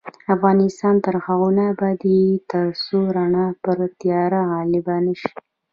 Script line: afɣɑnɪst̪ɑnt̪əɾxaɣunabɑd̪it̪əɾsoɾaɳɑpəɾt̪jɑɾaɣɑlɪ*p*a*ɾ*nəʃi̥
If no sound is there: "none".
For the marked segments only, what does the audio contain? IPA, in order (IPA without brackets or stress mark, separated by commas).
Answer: b, none